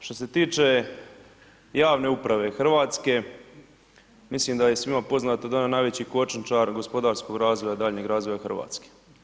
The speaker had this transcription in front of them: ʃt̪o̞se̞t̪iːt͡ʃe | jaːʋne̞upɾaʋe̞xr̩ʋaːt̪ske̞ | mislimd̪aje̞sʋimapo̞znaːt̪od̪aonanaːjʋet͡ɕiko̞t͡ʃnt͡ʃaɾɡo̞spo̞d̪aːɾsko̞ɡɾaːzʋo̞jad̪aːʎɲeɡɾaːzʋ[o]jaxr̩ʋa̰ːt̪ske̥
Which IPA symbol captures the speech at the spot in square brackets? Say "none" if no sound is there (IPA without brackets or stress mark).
o